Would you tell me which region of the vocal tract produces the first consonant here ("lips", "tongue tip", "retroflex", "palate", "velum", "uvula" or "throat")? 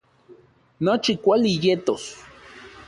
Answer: tongue tip